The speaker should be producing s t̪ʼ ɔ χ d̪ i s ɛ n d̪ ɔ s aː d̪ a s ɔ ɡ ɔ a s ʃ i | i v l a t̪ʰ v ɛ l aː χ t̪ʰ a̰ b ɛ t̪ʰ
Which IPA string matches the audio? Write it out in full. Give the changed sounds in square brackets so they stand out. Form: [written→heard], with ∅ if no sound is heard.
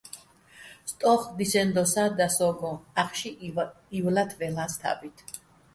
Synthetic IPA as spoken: s t̪ʼ ɔ χ d̪ i s ɛ n d̪ ɔ s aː d̪ a s ɔ ɡ ɔ a [s→χ] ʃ i | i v l a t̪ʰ v ɛ l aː [χ→s] t̪ʰ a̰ b [ɛ→i] t̪ʰ

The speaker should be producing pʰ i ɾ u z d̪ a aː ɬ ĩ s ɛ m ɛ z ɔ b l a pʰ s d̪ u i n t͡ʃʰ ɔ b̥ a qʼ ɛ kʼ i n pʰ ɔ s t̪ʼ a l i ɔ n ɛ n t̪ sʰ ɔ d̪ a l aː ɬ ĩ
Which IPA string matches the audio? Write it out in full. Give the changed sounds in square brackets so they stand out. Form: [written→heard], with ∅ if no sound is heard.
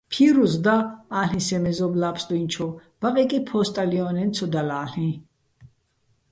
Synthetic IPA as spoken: pʰ i ɾ u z d̪ a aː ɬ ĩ s ɛ m ɛ z ɔ b l a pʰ s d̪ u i n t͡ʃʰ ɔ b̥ a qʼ ɛ kʼ i [n→∅] pʰ ɔ s t̪ʼ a l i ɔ n ɛ n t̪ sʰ ɔ d̪ a l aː ɬ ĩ

